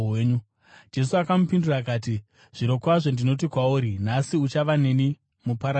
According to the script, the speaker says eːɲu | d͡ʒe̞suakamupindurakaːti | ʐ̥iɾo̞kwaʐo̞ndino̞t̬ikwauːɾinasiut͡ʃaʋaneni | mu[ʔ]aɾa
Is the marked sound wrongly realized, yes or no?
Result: yes